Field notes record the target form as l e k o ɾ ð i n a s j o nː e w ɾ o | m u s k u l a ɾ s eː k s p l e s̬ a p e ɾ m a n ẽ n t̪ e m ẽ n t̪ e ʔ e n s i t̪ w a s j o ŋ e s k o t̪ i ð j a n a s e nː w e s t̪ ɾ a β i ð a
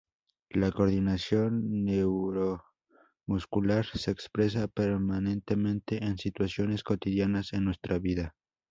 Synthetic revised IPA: l a k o ɾ ð i n a s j o nː e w ɾ o | m u s k u l a ɾ s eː k s p ɾ e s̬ a p e ɾ m a n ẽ n t̪ e m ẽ n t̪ e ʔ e n s i t̪ w a s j o n e s k o t̪ i ð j a n a s e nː w e s t̪ ɾ a β i ð a